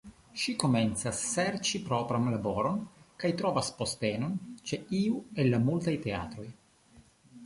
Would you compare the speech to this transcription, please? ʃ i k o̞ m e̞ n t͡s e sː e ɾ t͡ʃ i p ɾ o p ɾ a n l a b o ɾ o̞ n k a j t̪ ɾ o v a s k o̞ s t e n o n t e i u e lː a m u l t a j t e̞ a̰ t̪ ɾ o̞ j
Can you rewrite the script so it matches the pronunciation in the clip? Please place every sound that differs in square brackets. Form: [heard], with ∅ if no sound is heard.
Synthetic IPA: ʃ i k o̞ m e̞ n t͡s [a] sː e ɾ t͡ʃ i p ɾ o p ɾ a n l a b o ɾ o̞ n k a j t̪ ɾ o v a s [p] o̞ s t e n o n [t͡ʃ] e i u e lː a m u l t a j t e̞ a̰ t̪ ɾ o̞ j